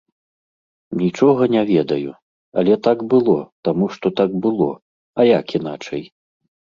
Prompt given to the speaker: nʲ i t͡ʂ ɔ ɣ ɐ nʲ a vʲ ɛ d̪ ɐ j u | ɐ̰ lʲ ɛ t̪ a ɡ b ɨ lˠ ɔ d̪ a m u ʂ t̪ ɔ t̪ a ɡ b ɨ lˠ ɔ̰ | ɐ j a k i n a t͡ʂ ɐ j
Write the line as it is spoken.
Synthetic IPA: nʲ i t͡ʂ ɔ ɣ ɐ nʲ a vʲ ɛ d̪ ɐ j u | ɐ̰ lʲ ɛ t̪ a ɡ b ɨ lˠ ɔ t̪ a m u ʂ t̪ ɔ t̪ a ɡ b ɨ lˠ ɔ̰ | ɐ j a k i n a t͡ʂ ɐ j